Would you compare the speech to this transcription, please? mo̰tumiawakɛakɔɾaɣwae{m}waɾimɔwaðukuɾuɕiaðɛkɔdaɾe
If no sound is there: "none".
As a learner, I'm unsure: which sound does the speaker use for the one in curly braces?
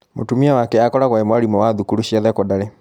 m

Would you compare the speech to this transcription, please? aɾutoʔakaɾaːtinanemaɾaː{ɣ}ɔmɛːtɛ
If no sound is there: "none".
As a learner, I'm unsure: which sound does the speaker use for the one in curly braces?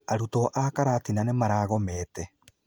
ɣ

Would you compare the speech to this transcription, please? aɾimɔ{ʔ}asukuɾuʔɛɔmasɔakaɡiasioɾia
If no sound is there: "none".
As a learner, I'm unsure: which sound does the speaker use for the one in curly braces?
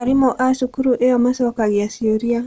ʔ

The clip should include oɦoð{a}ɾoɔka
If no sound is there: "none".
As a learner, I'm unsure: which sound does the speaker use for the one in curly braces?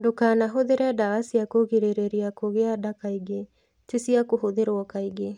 e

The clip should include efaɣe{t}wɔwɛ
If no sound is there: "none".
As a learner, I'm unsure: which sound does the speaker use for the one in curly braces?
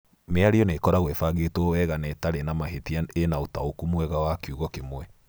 t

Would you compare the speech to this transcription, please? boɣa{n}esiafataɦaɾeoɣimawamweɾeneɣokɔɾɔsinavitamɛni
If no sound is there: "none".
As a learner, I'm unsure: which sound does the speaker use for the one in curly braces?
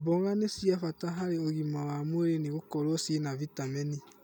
n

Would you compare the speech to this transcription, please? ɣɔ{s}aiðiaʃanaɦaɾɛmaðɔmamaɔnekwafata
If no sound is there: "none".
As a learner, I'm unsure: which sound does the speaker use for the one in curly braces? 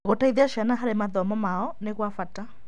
t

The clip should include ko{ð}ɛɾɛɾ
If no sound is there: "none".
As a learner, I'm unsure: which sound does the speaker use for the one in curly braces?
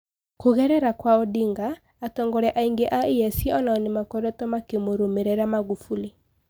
ɣ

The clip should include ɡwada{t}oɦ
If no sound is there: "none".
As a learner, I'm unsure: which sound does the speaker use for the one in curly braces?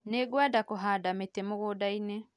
k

